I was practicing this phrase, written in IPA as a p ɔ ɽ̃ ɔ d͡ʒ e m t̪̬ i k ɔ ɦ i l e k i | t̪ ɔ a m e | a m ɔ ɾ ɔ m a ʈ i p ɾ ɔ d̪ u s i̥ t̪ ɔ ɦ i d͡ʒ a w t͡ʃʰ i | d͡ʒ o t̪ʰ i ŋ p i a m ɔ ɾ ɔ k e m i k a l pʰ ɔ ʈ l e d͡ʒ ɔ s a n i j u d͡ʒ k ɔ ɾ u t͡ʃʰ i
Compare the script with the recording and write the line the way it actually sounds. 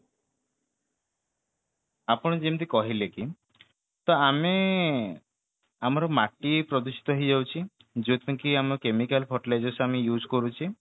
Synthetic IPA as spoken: a p ɔ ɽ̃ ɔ d͡ʒ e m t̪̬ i k ɔ ɦ i l e k i | t̪ ɔ a m e | a m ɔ ɾ ɔ m a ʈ i p ɾ ɔ d̪ u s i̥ t̪ ɔ ɦ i d͡ʒ a w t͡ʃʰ i | d͡ʒ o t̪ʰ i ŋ k i a m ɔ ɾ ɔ k e m i k a l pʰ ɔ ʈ l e d͡ʒ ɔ s a m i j u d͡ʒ k ɔ ɾ u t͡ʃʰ i